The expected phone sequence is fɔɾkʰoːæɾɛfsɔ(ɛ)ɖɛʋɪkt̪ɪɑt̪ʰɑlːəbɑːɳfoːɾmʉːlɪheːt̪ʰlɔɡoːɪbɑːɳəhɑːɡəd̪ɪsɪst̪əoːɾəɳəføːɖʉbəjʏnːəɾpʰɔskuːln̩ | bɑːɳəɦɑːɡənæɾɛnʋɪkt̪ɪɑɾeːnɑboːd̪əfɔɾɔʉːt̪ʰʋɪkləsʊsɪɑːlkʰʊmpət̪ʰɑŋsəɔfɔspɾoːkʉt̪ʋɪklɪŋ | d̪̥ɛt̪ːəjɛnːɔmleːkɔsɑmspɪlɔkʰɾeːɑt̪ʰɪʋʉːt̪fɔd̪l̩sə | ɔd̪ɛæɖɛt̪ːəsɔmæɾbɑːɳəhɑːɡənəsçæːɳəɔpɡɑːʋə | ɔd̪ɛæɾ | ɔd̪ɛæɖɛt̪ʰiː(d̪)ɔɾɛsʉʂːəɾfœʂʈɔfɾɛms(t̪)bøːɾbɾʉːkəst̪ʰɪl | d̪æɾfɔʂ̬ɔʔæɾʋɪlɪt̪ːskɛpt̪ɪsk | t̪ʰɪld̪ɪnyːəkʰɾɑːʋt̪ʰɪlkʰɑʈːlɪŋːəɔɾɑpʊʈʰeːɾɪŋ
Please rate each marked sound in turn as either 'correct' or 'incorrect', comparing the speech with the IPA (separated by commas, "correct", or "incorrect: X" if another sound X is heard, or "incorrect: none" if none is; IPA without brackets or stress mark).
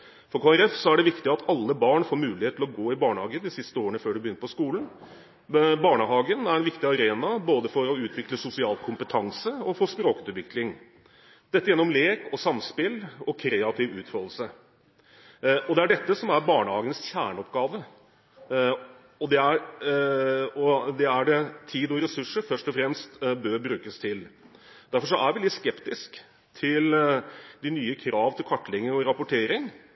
incorrect: æ, correct, correct